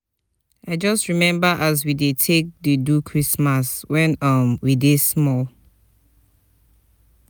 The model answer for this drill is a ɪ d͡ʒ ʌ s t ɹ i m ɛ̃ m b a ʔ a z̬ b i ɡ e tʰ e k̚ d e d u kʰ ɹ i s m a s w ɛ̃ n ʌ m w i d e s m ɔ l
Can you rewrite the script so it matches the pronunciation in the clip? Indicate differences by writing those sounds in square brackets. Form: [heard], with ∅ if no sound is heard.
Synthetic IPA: a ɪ d͡ʒ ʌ s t ɹ i m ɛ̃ m b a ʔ a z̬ [w] i [d] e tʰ e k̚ d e d u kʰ ɹ i s m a s w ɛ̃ n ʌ m w i d e s m ɔ l

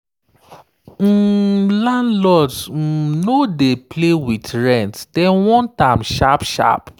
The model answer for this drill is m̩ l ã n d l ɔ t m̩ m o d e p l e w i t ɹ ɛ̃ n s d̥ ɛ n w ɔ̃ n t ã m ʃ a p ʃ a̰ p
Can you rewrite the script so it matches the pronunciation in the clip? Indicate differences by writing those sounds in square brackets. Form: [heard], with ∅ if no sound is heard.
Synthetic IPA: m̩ l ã n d l ɔ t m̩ [n] o d e p l e w i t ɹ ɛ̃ n [t] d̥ ɛ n w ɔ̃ n t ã m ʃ a p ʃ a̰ p

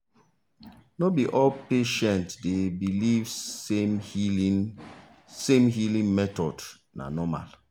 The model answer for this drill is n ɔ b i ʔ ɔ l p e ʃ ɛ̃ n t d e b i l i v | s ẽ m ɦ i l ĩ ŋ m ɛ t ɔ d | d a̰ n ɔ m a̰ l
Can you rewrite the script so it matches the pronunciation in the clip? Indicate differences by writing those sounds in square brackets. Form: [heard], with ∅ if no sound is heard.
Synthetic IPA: n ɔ b i ʔ ɔ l p e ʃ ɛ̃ n t d e b i l i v | s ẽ m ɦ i l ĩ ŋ m ɛ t ɔ d | [n] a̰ n ɔ m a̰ l

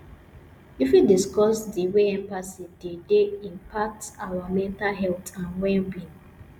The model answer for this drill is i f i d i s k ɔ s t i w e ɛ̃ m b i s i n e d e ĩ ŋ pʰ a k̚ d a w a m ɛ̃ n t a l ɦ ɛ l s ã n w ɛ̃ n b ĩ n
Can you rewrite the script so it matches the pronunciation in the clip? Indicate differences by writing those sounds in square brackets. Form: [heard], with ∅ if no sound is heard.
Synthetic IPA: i f i d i s k ɔ s [d] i w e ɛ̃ m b [a] s i [d] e d e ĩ [m] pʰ a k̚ [t] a w a m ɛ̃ n t a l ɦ ɛ l [t] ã n w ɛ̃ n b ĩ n

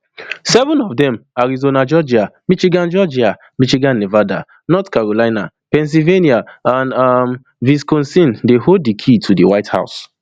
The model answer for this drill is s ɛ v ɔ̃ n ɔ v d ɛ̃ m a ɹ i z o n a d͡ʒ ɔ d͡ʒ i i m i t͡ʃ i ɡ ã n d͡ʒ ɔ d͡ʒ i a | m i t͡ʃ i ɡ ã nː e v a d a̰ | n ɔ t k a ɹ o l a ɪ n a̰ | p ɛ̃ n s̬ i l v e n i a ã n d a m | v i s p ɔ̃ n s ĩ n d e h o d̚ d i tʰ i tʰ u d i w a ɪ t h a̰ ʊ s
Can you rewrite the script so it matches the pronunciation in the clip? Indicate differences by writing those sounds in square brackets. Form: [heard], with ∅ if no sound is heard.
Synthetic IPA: s ɛ v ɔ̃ n ɔ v d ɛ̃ m a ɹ i z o n a d͡ʒ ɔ d͡ʒ i [a] m i t͡ʃ i ɡ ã n d͡ʒ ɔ d͡ʒ i a | m i t͡ʃ i ɡ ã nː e v a d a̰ | n ɔ t k a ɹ o l a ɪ n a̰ | p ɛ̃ n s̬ i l v e n i a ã n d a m | v i s [k] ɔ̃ n s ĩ n d e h o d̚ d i [kʰ] i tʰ u d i w a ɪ t h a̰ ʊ s

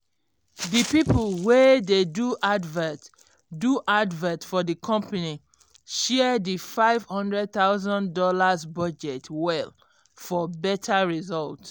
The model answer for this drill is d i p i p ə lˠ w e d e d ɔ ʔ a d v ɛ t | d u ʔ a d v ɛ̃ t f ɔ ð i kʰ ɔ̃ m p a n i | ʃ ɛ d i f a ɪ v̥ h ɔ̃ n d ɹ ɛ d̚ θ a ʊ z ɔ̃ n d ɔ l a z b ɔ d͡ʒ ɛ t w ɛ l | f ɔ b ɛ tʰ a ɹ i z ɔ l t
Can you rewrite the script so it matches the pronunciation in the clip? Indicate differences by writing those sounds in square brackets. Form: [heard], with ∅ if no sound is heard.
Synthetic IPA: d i p i p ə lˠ w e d e d [u] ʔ a d v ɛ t | d u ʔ a d v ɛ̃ t f ɔ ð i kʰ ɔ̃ m p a n i | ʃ ɛ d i f a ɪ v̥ h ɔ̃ n d ɹ ɛ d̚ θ a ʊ z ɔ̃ n d ɔ l a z b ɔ d͡ʒ ɛ t w ɛ l | f ɔ b ɛ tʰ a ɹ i z ɔ l t

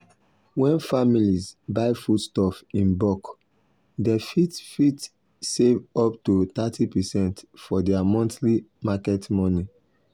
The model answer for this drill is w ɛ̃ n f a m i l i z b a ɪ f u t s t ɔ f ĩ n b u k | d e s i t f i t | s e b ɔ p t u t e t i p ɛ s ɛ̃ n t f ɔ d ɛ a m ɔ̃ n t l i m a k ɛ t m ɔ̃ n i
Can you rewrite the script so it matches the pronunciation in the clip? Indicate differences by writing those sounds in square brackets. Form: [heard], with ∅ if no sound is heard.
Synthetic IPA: w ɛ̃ n f a m i l i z b a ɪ f u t s t ɔ f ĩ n b [ɔ] k | d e [f] i t f i t | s e [v] ɔ p t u t [a] t i p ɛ s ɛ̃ n t f ɔ d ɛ a m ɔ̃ n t l i m a k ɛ t m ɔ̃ n i

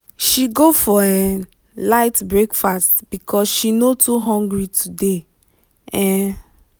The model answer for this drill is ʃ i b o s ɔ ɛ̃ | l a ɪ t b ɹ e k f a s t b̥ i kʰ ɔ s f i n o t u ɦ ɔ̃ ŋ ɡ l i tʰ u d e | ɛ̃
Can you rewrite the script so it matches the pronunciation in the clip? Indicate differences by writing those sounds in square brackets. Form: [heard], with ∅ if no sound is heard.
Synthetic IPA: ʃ i [ɡ] o [f] ɔ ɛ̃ | l a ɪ t b ɹ e k f a s t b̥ i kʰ ɔ s [ʃ] i n o t u ɦ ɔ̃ ŋ ɡ [ɹ] i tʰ u d e | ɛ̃

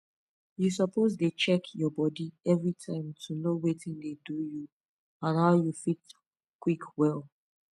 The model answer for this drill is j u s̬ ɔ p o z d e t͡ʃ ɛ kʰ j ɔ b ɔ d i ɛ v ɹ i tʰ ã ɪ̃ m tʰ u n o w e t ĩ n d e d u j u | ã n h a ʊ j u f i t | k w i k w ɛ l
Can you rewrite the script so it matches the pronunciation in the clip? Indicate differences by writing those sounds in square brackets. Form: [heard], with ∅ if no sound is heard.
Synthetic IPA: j u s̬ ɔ p o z d e t͡ʃ ɛ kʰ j ɔ b ɔ d i ɛ v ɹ i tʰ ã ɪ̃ m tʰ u n o w e t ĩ n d e d u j u | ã n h a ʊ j u f i t | k w i k w ɛ l

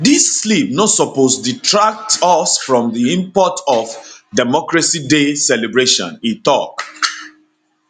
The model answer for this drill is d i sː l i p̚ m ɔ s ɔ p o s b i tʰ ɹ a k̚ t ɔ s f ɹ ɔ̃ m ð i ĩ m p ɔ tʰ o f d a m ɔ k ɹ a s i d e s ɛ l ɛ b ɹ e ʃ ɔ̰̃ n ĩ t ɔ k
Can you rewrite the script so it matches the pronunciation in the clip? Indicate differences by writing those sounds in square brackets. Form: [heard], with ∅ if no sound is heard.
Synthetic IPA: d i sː l i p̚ [n] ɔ s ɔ p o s [d] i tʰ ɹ a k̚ t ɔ s f ɹ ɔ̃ m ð i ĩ m p ɔ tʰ [ɔ] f d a m ɔ k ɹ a s i d e s ɛ l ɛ b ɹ e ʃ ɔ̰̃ n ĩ t ɔ k

